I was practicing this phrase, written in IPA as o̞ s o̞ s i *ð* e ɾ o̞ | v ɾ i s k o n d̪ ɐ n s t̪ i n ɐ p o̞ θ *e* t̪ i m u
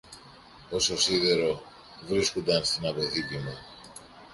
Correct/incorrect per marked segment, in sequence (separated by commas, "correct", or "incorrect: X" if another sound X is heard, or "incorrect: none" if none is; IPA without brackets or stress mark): correct, incorrect: i